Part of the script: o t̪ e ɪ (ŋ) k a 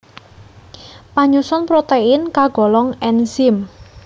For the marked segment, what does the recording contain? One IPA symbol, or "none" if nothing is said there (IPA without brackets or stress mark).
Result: n